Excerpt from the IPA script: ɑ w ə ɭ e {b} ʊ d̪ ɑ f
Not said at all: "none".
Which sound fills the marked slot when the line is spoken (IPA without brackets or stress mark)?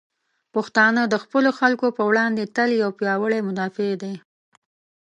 m